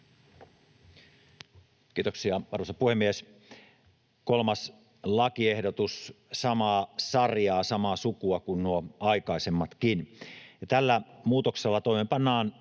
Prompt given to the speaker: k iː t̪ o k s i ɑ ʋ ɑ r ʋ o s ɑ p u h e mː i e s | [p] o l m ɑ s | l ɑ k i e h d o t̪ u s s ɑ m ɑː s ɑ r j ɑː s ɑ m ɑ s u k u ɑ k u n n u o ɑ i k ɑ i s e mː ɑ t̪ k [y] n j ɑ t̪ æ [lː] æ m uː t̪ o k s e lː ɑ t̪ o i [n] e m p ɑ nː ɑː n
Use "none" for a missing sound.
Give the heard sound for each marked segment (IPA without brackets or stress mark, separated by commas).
k, i, lː, m